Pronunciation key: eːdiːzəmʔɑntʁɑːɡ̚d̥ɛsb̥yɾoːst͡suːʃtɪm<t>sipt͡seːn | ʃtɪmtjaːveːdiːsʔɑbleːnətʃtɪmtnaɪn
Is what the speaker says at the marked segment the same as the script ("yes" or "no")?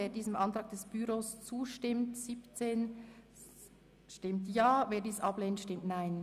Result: yes